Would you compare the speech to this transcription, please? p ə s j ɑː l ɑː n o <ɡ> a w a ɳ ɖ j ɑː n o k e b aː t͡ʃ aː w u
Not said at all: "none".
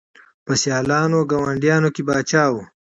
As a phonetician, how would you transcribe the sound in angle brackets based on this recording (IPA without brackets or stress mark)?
ɡ